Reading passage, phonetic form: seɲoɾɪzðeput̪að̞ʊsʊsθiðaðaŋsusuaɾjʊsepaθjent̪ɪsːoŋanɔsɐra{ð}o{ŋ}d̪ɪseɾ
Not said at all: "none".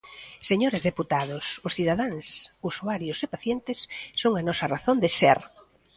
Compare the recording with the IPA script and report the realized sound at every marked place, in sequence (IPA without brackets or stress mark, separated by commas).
θ, n